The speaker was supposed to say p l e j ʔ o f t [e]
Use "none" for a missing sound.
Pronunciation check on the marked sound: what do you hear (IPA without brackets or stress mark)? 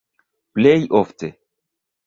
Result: e